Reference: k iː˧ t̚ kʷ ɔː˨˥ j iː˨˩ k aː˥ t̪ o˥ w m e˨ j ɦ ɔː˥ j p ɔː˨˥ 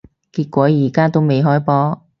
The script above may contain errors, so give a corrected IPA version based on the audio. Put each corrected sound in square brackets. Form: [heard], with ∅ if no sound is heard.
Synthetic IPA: k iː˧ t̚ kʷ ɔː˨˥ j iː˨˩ k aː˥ t̪ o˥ w m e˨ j ɦ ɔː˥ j p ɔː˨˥